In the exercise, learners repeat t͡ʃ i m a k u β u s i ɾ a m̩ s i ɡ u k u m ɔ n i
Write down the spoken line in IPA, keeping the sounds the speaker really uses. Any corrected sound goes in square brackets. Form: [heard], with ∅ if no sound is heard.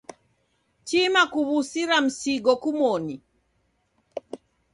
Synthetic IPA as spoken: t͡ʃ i m a k u β u s i ɾ a m̩ s i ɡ [ɔ] k u m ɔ n i